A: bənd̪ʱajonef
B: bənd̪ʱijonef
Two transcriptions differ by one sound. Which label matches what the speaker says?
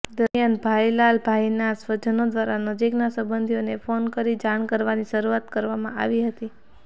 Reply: B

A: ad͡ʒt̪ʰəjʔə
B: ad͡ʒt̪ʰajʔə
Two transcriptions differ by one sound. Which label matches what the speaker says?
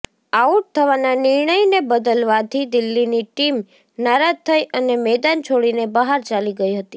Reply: A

